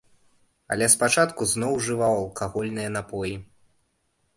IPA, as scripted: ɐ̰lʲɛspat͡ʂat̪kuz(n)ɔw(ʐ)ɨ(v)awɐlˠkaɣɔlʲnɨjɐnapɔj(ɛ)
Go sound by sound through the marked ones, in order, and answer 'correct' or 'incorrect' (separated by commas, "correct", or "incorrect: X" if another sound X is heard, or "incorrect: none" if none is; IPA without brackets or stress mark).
correct, correct, correct, incorrect: i